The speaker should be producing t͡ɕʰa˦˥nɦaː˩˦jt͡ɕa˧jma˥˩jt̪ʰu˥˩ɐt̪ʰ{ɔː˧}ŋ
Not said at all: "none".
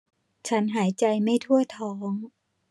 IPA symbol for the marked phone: ɔː˦˥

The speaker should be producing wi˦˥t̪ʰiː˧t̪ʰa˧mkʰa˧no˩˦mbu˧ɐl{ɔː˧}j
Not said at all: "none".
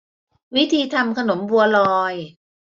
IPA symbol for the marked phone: ɔː˧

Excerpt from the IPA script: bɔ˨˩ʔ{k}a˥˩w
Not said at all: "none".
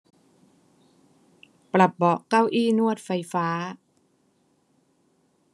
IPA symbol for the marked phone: k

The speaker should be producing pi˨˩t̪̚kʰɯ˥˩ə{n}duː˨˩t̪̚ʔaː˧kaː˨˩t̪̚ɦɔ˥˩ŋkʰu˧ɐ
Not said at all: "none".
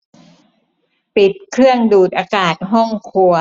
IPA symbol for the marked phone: ŋ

